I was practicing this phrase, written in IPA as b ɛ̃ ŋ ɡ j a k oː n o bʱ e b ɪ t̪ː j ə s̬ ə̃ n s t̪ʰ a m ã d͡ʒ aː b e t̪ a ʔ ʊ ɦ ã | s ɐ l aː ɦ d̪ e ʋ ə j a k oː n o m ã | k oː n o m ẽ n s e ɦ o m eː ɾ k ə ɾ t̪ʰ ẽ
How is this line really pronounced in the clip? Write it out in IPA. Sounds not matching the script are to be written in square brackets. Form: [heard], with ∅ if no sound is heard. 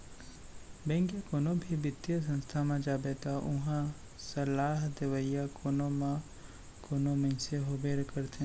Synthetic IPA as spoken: b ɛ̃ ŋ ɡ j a k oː n o bʱ [i] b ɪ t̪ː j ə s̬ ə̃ n s t̪ʰ a m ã d͡ʒ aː b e t̪ a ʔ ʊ ɦ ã | s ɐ l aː ɦ d̪ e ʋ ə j a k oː n o m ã | k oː n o m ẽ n s e ɦ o [b] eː ɾ k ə ɾ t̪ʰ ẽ

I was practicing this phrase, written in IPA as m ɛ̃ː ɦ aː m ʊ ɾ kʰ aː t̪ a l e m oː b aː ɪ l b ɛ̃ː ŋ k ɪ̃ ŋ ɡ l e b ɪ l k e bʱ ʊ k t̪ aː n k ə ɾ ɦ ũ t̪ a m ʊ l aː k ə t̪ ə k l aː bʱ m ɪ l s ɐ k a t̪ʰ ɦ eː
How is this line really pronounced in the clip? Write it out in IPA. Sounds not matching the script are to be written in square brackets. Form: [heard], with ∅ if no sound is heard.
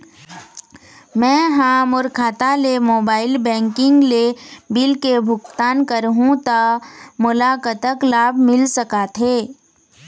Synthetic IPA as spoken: m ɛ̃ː ɦ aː m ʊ ɾ kʰ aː t̪ a l e m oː b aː ɪ l b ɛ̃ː ŋ k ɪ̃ ŋ ɡ l e b ɪ l k e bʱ ʊ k t̪ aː n k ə ɾ ɦ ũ t̪ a m ʊ l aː k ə t̪ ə k l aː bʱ m ɪ l s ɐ k a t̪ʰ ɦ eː

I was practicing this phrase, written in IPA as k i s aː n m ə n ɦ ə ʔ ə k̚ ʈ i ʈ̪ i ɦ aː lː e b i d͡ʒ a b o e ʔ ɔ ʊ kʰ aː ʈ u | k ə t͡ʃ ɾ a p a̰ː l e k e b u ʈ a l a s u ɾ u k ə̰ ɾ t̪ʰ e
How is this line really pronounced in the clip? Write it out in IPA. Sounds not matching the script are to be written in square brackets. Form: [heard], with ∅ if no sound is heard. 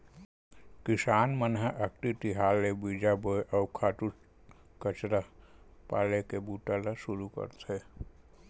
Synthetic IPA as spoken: k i s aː n m ə n ɦ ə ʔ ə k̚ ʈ i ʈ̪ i ɦ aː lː e b i d͡ʒ a b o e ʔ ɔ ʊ kʰ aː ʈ u | k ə t͡ʃ ɾ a p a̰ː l e k e b u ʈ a l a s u ɾ u k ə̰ ɾ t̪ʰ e

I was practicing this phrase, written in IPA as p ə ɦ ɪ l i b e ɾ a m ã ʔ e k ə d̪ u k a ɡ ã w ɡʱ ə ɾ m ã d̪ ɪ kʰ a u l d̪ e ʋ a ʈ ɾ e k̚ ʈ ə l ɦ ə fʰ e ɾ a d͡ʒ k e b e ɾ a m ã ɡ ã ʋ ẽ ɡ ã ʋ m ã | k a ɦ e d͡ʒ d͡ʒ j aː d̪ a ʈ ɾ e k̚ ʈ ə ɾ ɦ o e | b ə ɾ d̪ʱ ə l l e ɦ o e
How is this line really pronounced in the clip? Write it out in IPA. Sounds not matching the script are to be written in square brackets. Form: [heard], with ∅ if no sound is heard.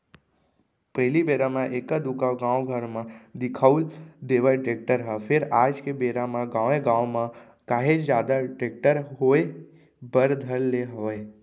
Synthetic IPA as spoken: p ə ɦ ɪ l i b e ɾ a m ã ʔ e k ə d̪ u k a ɡ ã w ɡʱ ə ɾ m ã d̪ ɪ kʰ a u l d̪ e ʋ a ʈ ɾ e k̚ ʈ ə [ɾ] ɦ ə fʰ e ɾ a d͡ʒ k e b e ɾ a m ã ɡ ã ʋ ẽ ɡ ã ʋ m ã | k a ɦ e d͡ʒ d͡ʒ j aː d̪ a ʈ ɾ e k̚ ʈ ə ɾ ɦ o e | b ə ɾ d̪ʱ ə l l e ɦ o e

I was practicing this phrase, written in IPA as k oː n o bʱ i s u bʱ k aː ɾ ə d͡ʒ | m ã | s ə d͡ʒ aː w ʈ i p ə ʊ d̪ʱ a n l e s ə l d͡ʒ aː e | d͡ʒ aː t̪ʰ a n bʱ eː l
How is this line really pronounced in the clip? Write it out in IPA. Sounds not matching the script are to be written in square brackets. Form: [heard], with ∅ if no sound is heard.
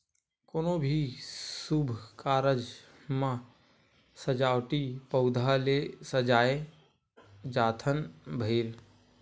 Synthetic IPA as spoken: k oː n o bʱ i s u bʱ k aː ɾ ə d͡ʒ | m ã | s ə d͡ʒ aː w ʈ i p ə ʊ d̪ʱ a [∅] l e s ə [∅] d͡ʒ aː e | d͡ʒ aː t̪ʰ [ə] n bʱ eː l

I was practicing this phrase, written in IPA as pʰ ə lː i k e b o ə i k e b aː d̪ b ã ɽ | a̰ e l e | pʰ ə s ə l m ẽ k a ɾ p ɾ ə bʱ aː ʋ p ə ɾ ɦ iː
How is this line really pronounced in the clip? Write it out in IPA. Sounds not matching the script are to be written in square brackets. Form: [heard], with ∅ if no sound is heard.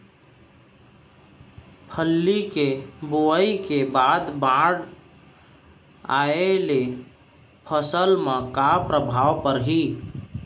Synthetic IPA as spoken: pʰ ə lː i k e b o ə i k e b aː d̪ b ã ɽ | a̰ e l e | pʰ ə s ə l m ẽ k a [∅] p ɾ ə bʱ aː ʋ p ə ɾ ɦ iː

